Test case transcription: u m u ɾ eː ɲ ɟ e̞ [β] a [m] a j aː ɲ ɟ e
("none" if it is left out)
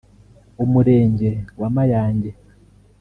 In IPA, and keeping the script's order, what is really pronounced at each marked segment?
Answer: w, m

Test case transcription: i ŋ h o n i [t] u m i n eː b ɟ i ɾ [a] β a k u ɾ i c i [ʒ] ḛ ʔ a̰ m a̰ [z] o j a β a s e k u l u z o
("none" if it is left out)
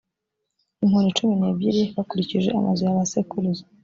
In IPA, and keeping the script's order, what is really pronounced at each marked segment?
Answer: t͡ʃ, i, ʒ, z

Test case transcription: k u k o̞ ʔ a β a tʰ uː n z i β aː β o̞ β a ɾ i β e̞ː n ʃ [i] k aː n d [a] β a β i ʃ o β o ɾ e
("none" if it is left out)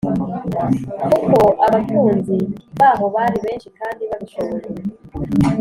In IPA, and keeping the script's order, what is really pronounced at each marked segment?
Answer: i, i

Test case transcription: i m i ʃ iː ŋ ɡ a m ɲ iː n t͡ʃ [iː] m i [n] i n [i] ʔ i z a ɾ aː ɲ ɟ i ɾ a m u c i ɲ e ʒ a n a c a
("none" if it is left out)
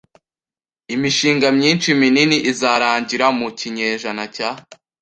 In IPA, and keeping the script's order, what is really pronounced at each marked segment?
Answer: i, n, i

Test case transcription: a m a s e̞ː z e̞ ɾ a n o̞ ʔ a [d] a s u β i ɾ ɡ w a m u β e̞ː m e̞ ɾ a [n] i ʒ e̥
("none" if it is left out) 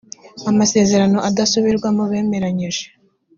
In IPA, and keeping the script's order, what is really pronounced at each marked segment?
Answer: d, ɲ

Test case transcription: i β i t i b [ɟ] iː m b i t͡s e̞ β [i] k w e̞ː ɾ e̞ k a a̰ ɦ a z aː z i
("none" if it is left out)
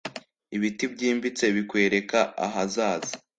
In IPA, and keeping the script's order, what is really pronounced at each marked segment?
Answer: ɟ, i

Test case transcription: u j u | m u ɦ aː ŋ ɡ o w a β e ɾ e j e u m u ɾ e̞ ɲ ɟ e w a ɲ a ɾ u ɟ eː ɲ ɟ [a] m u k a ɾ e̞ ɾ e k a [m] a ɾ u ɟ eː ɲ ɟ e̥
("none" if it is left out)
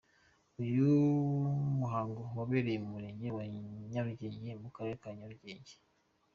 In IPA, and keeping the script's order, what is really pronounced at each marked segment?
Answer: e, ɲ

